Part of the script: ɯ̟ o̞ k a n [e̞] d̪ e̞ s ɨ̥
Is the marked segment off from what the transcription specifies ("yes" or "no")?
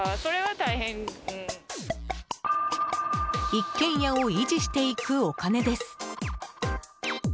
no